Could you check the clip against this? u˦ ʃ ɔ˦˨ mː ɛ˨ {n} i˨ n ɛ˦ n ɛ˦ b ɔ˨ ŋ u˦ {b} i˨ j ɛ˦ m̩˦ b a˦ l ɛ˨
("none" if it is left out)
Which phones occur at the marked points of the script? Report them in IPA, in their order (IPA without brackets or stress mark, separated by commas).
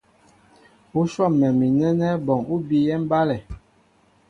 m, b